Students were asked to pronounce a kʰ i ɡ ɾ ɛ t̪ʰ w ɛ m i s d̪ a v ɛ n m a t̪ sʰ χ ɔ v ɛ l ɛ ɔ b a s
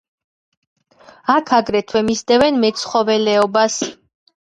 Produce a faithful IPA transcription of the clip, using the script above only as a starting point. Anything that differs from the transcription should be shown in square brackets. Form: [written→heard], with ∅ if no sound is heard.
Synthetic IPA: a kʰ [i→a] ɡ ɾ ɛ t̪ʰ w ɛ m i s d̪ [a→ɛ] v ɛ n m [a→ɛ] t̪ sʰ χ ɔ v ɛ l ɛ ɔ b a s

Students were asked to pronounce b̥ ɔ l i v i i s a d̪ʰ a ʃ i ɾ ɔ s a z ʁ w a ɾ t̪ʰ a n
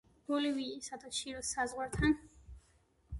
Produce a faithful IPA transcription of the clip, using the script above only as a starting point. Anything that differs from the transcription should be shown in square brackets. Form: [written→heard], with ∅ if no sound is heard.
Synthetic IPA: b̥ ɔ l i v i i s a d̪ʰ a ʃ i ɾ ɔ s a z ʁ w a ɾ t̪ʰ a n

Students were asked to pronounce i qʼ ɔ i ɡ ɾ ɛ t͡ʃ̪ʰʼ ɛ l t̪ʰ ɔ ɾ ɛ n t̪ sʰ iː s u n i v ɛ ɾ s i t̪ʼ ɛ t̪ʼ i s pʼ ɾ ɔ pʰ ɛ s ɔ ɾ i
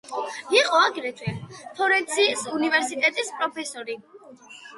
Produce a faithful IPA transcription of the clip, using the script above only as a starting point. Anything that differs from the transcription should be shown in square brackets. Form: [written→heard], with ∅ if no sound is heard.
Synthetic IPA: i qʼ ɔ [i→a] ɡ ɾ ɛ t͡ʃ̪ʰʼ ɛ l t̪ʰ ɔ ɾ ɛ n t̪ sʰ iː s u n i v ɛ ɾ s i t̪ʼ ɛ t̪ʼ i s pʼ ɾ ɔ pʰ ɛ s ɔ ɾ i

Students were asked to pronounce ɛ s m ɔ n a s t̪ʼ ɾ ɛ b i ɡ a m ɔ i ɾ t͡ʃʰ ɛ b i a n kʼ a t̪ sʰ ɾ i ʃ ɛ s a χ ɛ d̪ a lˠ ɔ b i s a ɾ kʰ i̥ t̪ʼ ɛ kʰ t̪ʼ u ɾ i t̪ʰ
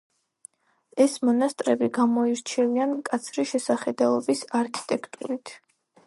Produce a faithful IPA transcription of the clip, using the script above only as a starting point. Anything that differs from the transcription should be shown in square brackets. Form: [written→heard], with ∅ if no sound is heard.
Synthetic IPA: ɛ s m ɔ n a s t̪ʼ ɾ ɛ b i ɡ a m ɔ i ɾ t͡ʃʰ ɛ [b→v] i a n kʼ a t̪ sʰ ɾ i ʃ ɛ s a χ ɛ d̪ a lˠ ɔ b i s a ɾ kʰ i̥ t̪ʼ ɛ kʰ t̪ʼ u ɾ i t̪ʰ

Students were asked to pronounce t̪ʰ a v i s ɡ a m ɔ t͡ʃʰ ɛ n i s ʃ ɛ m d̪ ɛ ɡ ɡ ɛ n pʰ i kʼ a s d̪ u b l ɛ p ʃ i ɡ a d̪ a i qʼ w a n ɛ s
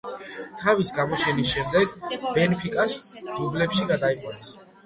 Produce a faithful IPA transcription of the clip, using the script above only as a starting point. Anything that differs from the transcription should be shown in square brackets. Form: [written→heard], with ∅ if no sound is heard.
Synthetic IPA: t̪ʰ a v i s ɡ a m ɔ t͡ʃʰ ɛ n i s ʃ ɛ m d̪ ɛ ɡ [ɡ→b] ɛ n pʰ i kʼ a s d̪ u b l ɛ p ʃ i ɡ a d̪ a i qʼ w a n ɛ s

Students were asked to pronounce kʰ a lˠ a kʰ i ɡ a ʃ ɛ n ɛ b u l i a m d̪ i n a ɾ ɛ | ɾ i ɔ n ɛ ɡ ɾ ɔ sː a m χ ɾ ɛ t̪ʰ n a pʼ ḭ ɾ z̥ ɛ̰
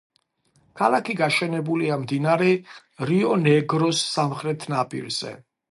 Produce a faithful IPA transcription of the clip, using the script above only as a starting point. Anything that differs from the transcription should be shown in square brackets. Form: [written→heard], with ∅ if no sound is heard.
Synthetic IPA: kʰ a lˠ a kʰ i ɡ a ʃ ɛ n ɛ b u l i a m d̪ i n a ɾ ɛ | ɾ i ɔ n ɛ ɡ ɾ ɔ sː a m χ ɾ ɛ t̪ʰ n a pʼ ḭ ɾ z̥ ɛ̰

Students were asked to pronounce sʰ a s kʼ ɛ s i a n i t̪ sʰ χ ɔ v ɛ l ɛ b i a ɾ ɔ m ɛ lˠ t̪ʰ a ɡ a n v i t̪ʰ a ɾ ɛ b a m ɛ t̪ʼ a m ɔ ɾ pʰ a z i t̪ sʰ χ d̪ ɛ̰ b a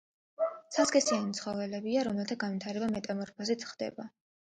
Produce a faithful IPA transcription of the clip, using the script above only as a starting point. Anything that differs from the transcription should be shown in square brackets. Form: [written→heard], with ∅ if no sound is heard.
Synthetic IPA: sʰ a s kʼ ɛ s i a n i t̪ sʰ χ ɔ v ɛ l ɛ b i a ɾ ɔ m ɛ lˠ t̪ʰ a ɡ a n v i t̪ʰ a ɾ ɛ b a m ɛ t̪ʼ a m ɔ ɾ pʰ a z i t̪ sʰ χ d̪ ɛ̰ b a

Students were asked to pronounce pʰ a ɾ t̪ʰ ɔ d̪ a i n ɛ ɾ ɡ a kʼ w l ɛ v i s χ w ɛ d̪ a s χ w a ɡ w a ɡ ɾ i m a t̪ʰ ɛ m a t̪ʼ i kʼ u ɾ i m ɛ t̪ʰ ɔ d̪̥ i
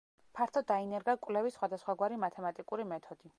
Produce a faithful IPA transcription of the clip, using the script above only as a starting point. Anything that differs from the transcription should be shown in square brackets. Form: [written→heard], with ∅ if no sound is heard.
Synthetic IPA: pʰ a ɾ t̪ʰ ɔ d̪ a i n ɛ ɾ ɡ a kʼ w l ɛ v i s χ w [ɛ→a] d̪ a s χ w a ɡ w a [ɡ→∅] ɾ i m a t̪ʰ ɛ m a t̪ʼ i kʼ u ɾ i m ɛ t̪ʰ ɔ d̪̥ i

